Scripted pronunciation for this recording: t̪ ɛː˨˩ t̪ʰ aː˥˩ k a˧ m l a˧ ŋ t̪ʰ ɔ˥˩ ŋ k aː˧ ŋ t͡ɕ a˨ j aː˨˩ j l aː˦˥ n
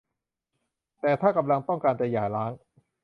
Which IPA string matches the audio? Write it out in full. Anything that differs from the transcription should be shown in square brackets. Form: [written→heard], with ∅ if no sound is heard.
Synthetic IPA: t̪ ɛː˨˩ t̪ʰ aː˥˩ k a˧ m l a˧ ŋ [t̪ʰ→t̪] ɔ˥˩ ŋ k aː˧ [ŋ→n] t͡ɕ a˨ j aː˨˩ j l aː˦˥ [n→ŋ]